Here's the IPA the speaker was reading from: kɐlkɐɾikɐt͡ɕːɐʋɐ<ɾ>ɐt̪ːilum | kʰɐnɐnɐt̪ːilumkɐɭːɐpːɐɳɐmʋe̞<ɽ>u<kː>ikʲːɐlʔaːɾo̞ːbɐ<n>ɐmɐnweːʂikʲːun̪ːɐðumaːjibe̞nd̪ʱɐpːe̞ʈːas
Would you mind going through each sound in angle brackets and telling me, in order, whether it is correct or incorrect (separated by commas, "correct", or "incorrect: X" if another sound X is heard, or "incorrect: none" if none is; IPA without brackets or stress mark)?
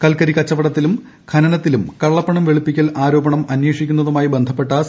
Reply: incorrect: ɽ, incorrect: ɭ, incorrect: pː, incorrect: ɳ